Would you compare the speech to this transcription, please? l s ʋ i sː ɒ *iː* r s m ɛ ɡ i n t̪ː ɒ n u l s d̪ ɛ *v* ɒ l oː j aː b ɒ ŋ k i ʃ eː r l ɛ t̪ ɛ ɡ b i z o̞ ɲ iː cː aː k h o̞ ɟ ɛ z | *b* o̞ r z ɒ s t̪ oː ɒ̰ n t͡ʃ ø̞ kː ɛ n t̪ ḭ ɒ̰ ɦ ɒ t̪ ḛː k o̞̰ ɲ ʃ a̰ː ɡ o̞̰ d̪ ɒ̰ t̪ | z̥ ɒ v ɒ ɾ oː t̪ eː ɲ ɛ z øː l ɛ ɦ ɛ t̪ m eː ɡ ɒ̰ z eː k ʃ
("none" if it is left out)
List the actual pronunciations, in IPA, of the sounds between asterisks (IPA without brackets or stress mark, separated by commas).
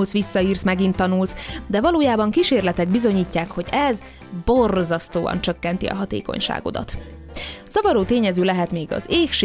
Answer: iː, v, b